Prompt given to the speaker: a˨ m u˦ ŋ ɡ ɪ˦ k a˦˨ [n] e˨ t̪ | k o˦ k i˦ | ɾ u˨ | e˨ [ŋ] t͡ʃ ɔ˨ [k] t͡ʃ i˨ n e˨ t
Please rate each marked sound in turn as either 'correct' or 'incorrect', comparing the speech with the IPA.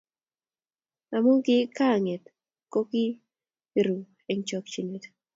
incorrect: ŋ, correct, correct

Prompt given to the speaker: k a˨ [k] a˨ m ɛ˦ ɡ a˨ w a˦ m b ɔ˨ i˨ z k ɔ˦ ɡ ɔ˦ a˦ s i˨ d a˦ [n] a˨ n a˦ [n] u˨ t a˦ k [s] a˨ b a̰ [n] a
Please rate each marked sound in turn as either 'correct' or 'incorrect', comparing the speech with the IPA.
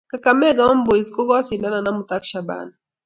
correct, correct, incorrect: m, incorrect: ʃ, correct

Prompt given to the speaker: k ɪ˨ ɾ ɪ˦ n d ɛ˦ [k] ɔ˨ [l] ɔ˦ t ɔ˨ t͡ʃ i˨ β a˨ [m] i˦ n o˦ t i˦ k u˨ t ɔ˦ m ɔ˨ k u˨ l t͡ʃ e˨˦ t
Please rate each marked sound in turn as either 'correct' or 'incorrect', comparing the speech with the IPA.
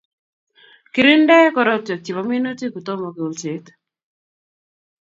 correct, incorrect: ɾ, correct

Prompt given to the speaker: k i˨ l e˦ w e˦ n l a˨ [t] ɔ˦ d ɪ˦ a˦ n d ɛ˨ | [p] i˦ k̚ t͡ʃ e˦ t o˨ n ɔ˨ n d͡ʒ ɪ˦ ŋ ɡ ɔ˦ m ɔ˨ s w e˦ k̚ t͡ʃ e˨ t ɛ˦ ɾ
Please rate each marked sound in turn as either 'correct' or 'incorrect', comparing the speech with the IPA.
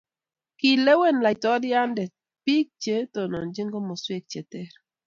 correct, correct

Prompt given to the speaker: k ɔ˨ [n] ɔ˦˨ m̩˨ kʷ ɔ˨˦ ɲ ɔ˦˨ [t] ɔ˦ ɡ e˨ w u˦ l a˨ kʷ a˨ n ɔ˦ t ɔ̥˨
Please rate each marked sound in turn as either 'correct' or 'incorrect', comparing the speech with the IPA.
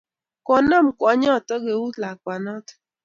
correct, correct

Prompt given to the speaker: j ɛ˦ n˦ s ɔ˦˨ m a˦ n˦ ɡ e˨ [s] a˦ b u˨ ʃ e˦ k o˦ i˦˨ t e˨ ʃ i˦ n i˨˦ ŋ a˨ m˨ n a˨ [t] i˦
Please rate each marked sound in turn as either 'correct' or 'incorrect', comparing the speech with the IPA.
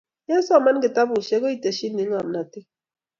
incorrect: t, correct

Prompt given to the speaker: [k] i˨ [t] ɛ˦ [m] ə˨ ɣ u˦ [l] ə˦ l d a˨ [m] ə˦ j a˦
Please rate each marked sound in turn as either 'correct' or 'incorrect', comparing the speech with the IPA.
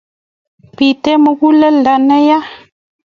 incorrect: p, correct, correct, correct, incorrect: n

